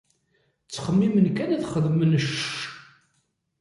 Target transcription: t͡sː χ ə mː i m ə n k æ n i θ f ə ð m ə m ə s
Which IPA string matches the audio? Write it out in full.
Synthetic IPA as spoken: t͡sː χ ə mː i m ə n k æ n æ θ χ ə ð m ə n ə ʃ